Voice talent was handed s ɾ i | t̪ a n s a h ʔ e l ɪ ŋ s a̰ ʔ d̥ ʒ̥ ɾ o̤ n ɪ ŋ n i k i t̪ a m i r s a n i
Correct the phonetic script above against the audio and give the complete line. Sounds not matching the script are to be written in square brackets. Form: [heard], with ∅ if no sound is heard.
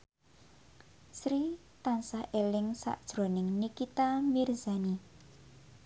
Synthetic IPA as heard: s ɾ i | t̪ a n s a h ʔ e l ɪ ŋ s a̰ ʔ d̥ ʒ̥ ɾ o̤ n ɪ ŋ n i k i t̪ a m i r [z] a n i